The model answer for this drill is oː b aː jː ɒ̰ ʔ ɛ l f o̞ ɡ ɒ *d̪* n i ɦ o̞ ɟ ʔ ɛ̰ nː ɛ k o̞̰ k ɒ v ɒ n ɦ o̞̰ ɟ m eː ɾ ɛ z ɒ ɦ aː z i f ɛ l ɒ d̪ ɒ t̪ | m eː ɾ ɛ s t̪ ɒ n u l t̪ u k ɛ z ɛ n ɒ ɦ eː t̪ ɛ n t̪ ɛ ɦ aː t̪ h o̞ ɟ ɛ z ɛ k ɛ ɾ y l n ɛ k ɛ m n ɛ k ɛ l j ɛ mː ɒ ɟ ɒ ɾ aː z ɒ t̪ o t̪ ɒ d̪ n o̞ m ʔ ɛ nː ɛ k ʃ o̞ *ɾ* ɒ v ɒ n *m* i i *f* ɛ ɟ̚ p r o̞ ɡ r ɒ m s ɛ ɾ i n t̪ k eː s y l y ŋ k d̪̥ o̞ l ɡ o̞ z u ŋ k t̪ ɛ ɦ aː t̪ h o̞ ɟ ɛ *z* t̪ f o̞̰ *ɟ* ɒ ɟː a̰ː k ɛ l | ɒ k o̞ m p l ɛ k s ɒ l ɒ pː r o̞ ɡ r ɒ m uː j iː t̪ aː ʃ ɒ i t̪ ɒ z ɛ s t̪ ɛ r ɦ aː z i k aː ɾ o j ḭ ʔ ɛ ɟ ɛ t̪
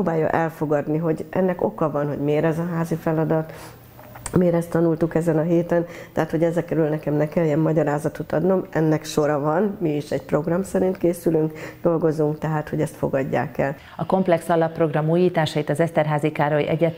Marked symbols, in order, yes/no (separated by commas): yes, yes, yes, no, no, no